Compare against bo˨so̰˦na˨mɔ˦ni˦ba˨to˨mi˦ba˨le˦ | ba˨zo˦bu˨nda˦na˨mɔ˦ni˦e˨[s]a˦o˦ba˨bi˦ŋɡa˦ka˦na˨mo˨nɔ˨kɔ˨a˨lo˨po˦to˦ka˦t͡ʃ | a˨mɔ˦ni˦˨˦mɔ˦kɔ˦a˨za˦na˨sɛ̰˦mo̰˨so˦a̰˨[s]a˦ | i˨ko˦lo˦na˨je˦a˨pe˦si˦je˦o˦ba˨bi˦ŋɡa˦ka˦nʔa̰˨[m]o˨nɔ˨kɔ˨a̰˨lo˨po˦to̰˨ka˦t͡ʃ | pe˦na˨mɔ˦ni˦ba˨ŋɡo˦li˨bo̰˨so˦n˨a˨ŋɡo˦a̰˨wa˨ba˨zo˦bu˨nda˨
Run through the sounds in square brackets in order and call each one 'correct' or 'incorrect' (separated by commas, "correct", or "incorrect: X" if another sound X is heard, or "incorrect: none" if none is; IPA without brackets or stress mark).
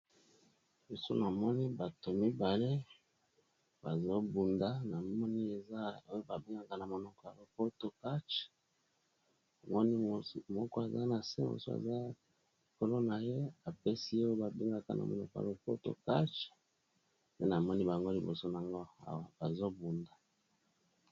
incorrect: z, incorrect: z, correct